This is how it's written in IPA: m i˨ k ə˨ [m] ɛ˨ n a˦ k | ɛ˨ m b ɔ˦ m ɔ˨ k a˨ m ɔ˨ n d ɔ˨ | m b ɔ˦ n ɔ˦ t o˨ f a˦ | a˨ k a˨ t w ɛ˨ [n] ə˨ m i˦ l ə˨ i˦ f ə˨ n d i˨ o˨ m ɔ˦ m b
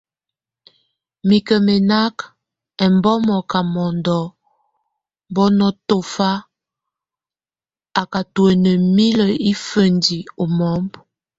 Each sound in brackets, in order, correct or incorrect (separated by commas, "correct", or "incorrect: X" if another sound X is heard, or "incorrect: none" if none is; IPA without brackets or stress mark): correct, correct